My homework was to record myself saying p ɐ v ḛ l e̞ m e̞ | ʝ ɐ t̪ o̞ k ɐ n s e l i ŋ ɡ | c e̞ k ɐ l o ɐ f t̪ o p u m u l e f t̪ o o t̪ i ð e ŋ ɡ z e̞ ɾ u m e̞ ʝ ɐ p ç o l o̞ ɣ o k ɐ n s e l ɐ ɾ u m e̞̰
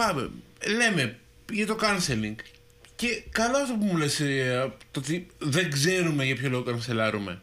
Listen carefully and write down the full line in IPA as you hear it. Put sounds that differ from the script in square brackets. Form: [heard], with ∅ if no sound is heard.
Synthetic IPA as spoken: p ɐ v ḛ l e̞ m e̞ | ʝ ɐ t̪ o̞ k ɐ n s e l i ŋ ɡ | c e̞ k ɐ l o ɐ f t̪ o p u m u l e [s] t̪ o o t̪ i ð e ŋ ɡ z e̞ ɾ u m e̞ ʝ ɐ p ç o l o̞ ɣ o k ɐ n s e l ɐ ɾ u m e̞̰